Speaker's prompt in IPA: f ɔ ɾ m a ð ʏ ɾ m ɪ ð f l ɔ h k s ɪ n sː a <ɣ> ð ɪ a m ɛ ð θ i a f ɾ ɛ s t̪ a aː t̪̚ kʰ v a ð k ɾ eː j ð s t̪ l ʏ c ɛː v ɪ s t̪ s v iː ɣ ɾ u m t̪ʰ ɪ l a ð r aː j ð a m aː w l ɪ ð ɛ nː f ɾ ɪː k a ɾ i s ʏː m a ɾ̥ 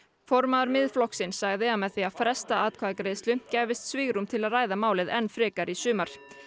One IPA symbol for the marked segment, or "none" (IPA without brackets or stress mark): ɣ